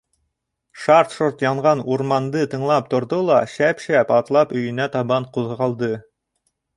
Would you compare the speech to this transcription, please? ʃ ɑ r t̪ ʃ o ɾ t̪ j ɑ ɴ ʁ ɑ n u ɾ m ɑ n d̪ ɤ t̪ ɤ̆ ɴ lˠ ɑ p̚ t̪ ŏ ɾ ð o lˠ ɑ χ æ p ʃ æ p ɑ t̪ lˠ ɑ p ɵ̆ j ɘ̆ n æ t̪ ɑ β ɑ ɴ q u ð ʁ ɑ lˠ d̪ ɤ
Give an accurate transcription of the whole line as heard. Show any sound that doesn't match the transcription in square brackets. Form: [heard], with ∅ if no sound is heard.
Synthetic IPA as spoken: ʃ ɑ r t̪ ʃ o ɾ t̪ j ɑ ɴ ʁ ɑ n u ɾ m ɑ n d̪ ɤ t̪ ɤ̆ ɴ lˠ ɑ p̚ t̪ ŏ ɾ ð o lˠ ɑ [ʃ] æ p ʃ æ p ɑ t̪ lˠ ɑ p ɵ̆ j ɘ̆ n æ t̪ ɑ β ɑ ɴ q u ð ʁ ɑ lˠ d̪ ɤ